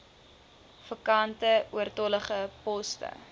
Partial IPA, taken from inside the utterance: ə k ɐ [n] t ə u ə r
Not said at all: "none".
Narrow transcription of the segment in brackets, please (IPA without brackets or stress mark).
n